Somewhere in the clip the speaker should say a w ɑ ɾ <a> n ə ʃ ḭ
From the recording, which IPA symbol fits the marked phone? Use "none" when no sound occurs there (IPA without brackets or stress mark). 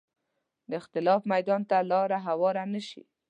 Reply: a